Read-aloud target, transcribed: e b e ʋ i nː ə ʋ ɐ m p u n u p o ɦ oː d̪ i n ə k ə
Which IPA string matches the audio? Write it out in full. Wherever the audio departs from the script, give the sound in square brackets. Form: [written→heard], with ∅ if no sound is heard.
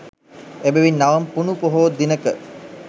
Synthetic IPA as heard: e b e ʋ i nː [ə→a] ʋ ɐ m p u n u p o ɦ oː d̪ i n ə k ə